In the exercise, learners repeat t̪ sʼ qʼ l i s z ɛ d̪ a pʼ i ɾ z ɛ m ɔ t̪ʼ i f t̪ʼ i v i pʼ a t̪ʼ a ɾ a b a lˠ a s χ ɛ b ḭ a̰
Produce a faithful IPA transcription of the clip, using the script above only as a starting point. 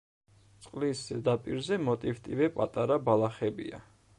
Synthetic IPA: t̪ sʼ qʼ l i s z ɛ d̪ a pʼ i ɾ z ɛ m ɔ t̪ʼ i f t̪ʼ i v ɛ pʼ a t̪ʼ a ɾ a b a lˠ a χ ɛ b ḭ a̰